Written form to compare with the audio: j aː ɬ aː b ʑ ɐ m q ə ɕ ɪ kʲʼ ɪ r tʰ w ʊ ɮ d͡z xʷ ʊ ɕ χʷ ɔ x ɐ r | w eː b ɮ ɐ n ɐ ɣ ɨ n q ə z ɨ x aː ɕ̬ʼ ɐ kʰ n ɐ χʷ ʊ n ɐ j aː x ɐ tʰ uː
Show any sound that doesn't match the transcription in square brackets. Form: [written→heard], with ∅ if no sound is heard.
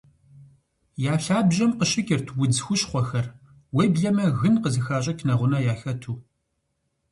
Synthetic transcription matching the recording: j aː ɬ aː b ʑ ɐ m q ə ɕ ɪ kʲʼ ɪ r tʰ w ʊ [ɮ→∅] d͡z xʷ ʊ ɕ χʷ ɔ x ɐ r | w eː b ɮ ɐ [n→m] ɐ ɣ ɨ n q ə z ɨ x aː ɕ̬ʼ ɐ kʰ n ɐ [χʷ→ʁʷ] ʊ n ɐ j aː x ɐ tʰ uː